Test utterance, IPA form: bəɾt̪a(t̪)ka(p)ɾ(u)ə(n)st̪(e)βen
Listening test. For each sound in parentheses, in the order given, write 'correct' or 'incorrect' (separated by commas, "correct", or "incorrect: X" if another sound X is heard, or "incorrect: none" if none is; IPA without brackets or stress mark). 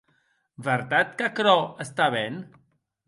correct, incorrect: k, incorrect: ɔ, incorrect: none, incorrect: a